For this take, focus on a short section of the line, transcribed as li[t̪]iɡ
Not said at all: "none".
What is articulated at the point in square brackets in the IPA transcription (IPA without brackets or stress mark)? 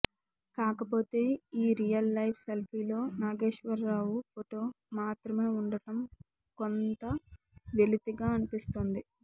t̪